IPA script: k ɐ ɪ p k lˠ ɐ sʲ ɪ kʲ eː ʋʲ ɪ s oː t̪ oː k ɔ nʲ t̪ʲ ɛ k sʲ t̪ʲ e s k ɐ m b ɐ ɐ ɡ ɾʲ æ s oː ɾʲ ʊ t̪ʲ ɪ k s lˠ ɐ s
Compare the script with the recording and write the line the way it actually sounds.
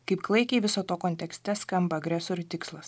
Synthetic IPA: k ɐ ɪ p k lˠ ɐ ɪ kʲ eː ʋʲ ɪ s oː t̪ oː k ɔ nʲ t̪ʲ ɛ k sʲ t̪ʲ ɛ s k ɐ m b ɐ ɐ ɡ ɾʲ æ s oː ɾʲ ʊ t̪ʲ ɪ k s lˠ ɐ s

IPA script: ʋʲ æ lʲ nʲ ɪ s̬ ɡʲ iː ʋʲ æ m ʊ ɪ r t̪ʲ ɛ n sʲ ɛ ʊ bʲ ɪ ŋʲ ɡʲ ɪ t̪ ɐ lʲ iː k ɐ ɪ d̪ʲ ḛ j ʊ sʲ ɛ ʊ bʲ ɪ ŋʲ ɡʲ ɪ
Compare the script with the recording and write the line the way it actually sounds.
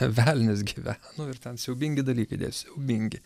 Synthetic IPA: ʋʲ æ lʲ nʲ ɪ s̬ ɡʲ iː ʋʲ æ n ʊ ɪ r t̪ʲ ɛ n sʲ ɛ ʊ bʲ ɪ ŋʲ ɡʲ ɪ d̪ ɐ lʲ iː k ɐ ɪ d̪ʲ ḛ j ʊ sʲ ɛ ʊ bʲ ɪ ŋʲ ɡʲ ɪ

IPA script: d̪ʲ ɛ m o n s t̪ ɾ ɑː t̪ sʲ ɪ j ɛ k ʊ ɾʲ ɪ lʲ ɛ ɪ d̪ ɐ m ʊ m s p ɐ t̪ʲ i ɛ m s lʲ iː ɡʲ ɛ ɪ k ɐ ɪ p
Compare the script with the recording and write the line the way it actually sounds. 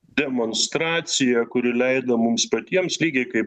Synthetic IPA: d̪ʲ ɛ m o n s t̪ ɾ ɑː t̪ sʲ ɪ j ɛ k ʊ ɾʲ ɪ lʲ ɛ ɪ d̪ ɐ m ʊ m s p ɐ t̪ʲ i ɛ m s lʲ iː ɡʲ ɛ ɪ k ɐ ɪ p

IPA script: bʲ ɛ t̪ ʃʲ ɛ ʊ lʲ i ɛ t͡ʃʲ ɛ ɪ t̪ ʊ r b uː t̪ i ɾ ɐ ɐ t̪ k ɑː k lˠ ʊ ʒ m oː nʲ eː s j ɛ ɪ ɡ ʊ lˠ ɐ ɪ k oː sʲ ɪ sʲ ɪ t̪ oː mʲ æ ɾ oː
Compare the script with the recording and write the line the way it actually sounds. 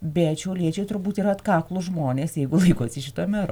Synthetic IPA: bʲ ɛ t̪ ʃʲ ɛ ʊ lʲ i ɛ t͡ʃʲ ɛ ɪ t̪ ʊ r b uː t̪ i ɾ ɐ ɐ t̪ k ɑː k lˠ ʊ ʒ m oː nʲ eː s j ɛ ɪ ɡ ʊ lˠ ɐ ɪ k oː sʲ ɪ ʃʲ ɪ t̪ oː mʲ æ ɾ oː

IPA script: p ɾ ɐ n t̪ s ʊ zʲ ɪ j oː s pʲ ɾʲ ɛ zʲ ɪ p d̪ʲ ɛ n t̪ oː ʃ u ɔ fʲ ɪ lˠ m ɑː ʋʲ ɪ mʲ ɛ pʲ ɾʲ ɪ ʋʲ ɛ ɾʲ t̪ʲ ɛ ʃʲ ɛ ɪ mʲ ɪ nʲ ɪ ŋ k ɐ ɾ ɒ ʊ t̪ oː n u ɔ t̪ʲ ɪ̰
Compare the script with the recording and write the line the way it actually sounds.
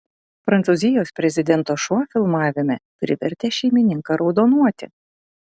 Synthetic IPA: p ɾ ɐ n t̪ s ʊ zʲ ɪ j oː s pʲ ɾʲ ɛ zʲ ɪ d̪ʲ ɛ n t̪ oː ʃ u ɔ fʲ ɪ lˠ m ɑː ʋʲ ɪ mʲ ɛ pʲ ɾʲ ɪ ʋʲ ɛ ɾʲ t̪ʲ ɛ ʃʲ ɛ ɪ mʲ ɪ nʲ ɪ ŋ k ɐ ɾ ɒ ʊ d̪ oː n u ɔ t̪ʲ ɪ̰

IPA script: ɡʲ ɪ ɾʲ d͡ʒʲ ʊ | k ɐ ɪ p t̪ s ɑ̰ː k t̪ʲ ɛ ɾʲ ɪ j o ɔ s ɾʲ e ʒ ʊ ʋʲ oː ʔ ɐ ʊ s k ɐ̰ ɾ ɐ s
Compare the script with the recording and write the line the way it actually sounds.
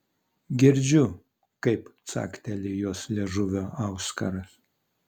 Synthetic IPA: ɡʲ ɪ ɾʲ d͡ʒʲ ʊ | k ɐ ɪ p t̪ s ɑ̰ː k t̪ʲ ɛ lʲ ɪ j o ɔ s lʲ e ʒ ʊ ʋʲ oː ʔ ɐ ʊ s k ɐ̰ ɾ ɐ s

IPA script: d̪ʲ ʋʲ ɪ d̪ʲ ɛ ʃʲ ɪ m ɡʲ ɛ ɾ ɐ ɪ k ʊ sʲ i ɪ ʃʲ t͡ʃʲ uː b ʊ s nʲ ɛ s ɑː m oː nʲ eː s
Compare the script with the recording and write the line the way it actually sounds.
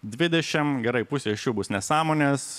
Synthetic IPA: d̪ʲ ʋʲ ɪ d̪ʲ ɛ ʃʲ ɪ m ɡʲ ɛ ɾ ɐ ɪ p ʊ sʲ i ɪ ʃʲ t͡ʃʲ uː b ʊ s nʲ ɛ s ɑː m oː nʲ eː s

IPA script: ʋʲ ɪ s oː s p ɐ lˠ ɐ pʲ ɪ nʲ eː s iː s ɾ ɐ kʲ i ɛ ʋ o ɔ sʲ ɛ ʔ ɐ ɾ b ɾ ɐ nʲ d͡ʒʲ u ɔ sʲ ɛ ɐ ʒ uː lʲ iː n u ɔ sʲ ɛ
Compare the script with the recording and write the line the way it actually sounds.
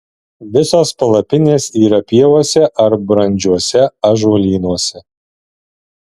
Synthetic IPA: ʋʲ ɪ s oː s p ɐ lˠ ɐ pʲ ɪ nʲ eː s iː ɾ ɐ pʲ i ɛ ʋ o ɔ sʲ ɛ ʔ ɐ ɾ b ɾ ɐ nʲ d͡ʒʲ u ɔ sʲ ɛ ɐ ʒ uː lʲ iː n u ɔ sʲ ɛ

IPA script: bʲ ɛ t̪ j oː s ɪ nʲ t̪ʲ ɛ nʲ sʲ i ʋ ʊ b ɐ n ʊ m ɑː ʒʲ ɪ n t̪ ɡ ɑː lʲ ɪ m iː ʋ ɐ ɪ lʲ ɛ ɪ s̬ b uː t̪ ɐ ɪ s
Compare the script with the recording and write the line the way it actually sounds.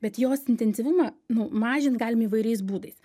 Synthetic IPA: bʲ ɛ t̪ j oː s ɪ nʲ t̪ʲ ɛ nʲ sʲ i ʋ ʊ m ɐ n ʊ m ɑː ʒʲ ɪ n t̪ ɡ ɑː lʲ ɪ m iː ʋ ɐ ɪ ɾʲ ɛ ɪ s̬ b uː d̪ ɐ ɪ s

